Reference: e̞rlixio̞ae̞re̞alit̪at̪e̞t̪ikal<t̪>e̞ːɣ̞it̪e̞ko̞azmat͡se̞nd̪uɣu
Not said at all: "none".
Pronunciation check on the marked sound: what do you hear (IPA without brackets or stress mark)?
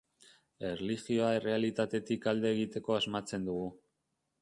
d̪